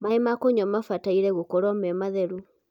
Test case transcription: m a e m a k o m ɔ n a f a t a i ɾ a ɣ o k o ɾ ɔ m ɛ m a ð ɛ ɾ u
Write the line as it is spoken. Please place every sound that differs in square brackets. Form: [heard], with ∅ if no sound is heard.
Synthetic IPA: m a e m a k o [ɲ] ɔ [m] a f a t a i ɾ [ɛ] ɣ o k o ɾ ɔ m ɛ m a ð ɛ ɾ u